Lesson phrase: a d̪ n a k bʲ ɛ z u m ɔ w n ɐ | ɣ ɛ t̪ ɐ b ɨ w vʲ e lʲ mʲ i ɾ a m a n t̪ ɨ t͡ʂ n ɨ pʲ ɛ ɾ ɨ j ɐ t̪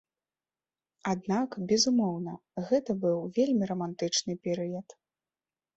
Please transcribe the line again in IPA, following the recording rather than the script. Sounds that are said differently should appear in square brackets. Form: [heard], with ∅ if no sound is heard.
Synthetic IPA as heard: a d̪ n a k bʲ ɛ z u m ɔ w n ɐ | ɣ ɛ t̪ ɐ b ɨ w vʲ e lʲ mʲ i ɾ [ɐ] m a n t̪ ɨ t͡ʂ n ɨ pʲ ɛ ɾ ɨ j ɐ t̪

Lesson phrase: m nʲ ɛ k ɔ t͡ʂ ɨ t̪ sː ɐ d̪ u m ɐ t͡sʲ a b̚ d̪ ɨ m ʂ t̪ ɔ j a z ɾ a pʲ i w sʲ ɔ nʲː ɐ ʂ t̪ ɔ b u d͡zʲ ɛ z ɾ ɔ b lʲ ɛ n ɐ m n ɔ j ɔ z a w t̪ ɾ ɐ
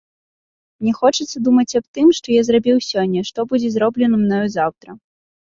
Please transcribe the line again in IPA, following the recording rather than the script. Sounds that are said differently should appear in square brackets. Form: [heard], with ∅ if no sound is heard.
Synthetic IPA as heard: m nʲ ɛ [x] ɔ t͡ʂ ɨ t̪ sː ɐ d̪ u m ɐ t͡sʲ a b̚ [t̪] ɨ m ʂ t̪ ɔ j a z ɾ a [bʲ] i w sʲ ɔ nʲː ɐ ʂ t̪ ɔ b u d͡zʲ ɛ z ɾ ɔ b lʲ ɛ n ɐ m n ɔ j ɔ z a w t̪ ɾ ɐ

